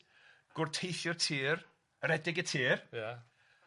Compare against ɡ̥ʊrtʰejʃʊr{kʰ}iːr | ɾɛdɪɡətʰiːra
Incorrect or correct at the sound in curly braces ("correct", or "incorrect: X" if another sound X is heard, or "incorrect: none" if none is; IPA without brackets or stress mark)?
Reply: incorrect: tʰ